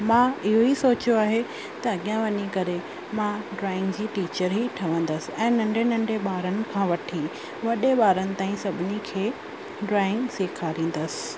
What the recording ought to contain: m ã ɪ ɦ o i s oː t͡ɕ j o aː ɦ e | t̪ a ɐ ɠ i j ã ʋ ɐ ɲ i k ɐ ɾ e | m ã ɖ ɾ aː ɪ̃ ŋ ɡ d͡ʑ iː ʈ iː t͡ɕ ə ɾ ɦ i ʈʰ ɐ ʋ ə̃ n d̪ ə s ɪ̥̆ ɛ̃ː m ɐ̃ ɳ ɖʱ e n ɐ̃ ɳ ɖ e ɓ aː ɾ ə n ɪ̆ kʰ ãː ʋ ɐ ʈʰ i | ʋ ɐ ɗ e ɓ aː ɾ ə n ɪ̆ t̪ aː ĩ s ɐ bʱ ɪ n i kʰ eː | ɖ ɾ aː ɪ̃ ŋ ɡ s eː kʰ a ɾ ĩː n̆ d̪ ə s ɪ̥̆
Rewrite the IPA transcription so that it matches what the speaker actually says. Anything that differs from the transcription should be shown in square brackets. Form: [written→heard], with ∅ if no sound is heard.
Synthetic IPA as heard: m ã ɪ ɦ o i s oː t͡ɕ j o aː ɦ e | t̪ [a→ɐ] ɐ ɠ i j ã ʋ ɐ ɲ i k ɐ ɾ e | m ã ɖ ɾ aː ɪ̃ ŋ ɡ d͡ʑ iː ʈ iː t͡ɕ ə ɾ ɦ i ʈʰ ɐ ʋ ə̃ n d̪ ə s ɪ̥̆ ɛ̃ː [m→n] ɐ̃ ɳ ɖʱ e n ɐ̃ ɳ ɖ e ɓ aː ɾ ə n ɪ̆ kʰ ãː ʋ ɐ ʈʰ i | ʋ ɐ ɗ e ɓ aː ɾ ə n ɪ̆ t̪ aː ĩ s ɐ bʱ ɪ n i kʰ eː | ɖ ɾ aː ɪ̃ ŋ ɡ s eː kʰ a ɾ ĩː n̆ d̪ ə s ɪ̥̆

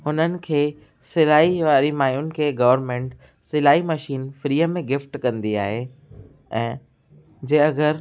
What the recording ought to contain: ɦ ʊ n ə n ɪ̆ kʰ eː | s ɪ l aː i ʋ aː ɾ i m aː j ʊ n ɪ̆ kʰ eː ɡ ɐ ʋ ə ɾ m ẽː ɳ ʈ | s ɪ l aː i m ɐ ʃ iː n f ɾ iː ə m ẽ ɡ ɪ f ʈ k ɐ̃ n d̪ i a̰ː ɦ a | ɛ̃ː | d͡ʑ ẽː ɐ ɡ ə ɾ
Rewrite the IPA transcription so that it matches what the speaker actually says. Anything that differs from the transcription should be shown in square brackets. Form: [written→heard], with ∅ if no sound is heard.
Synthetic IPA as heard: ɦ ʊ n ə n ɪ̆ kʰ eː | s ɪ l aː i ʋ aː ɾ i m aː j ʊ n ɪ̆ kʰ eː ɡ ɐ ʋ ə ɾ m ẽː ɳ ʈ | s ɪ l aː i m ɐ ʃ iː n f ɾ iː ə m ẽ ɡ ɪ f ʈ k ɐ̃ n d̪ i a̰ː ɦ [a→e] | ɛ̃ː | d͡ʑ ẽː ɐ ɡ ə ɾ

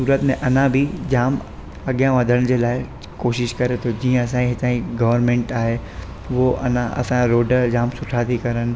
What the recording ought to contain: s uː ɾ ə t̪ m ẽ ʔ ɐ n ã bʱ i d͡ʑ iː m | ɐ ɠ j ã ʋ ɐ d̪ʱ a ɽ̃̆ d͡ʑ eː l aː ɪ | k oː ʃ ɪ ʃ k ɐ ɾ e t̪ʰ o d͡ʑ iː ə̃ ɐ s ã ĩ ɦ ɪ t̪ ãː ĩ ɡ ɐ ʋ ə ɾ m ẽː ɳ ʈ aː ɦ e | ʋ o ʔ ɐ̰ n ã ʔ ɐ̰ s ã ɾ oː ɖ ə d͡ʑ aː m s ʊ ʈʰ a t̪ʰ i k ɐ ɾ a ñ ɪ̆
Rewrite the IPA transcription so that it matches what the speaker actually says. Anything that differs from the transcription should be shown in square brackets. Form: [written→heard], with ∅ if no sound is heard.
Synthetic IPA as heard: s uː ɾ ə t̪ m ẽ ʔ ɐ n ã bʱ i d͡ʑ [iː→aː] m | ɐ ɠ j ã ʋ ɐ d̪ʱ [a→ə] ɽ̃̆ d͡ʑ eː l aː ɪ | k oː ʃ ɪ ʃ k ɐ ɾ e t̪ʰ o d͡ʑ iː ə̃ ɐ s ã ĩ ɦ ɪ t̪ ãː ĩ ɡ ɐ ʋ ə ɾ m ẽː ɳ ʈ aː ɦ e | ʋ o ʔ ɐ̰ n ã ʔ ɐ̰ s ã ɾ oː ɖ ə d͡ʑ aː m s ʊ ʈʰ a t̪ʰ i k ɐ ɾ [a→ə] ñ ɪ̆

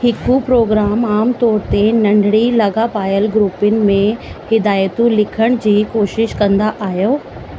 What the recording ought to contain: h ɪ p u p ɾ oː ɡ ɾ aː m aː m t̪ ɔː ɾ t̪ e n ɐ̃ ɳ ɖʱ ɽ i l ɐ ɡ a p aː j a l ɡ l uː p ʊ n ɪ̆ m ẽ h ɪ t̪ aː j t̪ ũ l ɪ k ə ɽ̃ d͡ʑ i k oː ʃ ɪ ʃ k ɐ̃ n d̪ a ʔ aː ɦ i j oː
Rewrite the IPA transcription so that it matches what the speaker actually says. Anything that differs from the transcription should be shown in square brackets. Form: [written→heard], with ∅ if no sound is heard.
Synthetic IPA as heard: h ɪ [p→k] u p ɾ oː ɡ ɾ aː m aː m t̪ ɔː ɾ t̪ e n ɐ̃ ɳ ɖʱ ɽ i l ɐ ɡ a p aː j [a→ə] l ɡ [l→ɾ] uː p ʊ n ɪ̆ m ẽ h ɪ [t̪→d̪] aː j t̪ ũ l ɪ [k→kʰ] ə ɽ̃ d͡ʑ [i→iː] k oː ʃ ɪ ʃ k ɐ̃ n d̪ a ʔ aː ɦ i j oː

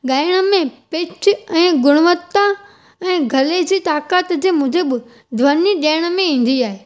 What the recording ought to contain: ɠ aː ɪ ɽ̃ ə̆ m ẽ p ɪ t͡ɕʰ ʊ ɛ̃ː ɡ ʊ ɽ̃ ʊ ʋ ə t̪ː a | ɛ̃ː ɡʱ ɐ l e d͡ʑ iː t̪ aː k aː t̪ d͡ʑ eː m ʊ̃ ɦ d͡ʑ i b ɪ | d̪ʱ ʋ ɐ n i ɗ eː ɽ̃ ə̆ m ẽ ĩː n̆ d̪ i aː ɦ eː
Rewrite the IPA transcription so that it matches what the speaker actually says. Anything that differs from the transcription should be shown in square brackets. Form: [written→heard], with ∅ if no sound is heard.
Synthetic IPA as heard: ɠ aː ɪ ɽ̃ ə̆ m ẽ p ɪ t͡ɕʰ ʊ ɛ̃ː ɡ ʊ ɽ̃ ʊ ʋ ə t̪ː a | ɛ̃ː ɡʱ ɐ l e d͡ʑ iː t̪ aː k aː t̪ d͡ʑ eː m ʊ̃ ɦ d͡ʑ [i→e] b ɪ | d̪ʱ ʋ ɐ n i ɗ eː ɽ̃ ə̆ m ẽ ĩː n̆ d̪ i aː ɦ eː

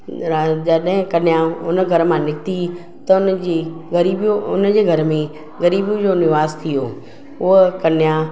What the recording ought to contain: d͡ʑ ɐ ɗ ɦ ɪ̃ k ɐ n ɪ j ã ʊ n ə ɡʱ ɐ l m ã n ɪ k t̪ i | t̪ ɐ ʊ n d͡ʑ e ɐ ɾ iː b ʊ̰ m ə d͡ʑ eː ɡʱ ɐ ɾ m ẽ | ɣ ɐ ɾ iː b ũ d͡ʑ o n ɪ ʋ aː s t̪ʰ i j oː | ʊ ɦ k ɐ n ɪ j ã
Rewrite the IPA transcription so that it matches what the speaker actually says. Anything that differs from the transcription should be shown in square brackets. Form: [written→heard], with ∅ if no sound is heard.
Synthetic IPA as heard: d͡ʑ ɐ ɗ ɦ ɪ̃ k ɐ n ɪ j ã ʊ n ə ɡʱ ɐ [l→ɾ] m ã n ɪ k t̪ i | t̪ ɐ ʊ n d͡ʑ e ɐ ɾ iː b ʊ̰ [m→n] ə d͡ʑ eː ɡʱ ɐ ɾ m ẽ | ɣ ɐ ɾ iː b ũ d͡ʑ o n ɪ ʋ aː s t̪ʰ i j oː | ʊ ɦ k ɐ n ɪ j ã

